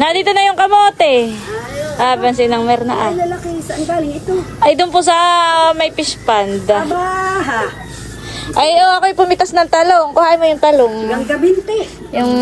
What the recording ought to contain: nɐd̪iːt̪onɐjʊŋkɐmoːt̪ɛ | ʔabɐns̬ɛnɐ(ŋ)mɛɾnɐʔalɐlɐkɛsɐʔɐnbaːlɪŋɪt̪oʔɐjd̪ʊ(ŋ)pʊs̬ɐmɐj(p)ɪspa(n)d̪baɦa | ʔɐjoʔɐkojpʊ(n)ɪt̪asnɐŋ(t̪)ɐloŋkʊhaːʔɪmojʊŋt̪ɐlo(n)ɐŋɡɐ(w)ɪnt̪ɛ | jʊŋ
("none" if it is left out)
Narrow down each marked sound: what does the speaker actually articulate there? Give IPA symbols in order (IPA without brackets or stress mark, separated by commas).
ŋ, n, p, n, m, t̪, ŋ, b